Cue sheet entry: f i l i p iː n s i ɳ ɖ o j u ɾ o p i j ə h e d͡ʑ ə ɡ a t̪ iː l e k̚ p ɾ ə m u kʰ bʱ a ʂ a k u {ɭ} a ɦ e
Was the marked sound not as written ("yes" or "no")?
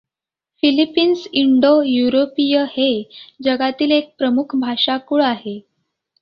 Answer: no